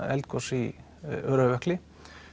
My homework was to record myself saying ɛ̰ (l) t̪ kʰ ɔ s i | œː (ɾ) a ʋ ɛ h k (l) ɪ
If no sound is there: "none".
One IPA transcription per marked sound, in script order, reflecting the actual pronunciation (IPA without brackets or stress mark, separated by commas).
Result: l, ɾ, l